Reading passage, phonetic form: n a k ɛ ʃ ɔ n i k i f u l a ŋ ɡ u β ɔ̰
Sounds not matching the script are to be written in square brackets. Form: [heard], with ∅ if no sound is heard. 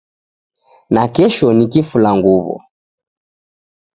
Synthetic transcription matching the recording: n a k ɛ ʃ ɔ n i k i f u l a ŋ ɡ u β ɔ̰